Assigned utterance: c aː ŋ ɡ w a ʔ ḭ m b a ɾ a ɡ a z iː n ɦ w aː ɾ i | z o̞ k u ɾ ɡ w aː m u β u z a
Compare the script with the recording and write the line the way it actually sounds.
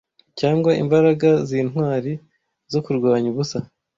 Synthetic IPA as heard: c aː ŋ ɡ w a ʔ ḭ m b a ɾ a ɡ a z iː n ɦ w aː ɾ i | z o̞ k u ɾ ɡ w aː ɲ u β u s a